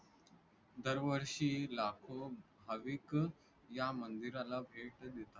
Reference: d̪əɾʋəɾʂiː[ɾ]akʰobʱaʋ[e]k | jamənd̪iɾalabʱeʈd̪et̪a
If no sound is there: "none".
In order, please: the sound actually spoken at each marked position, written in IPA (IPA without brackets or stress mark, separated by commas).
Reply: l, i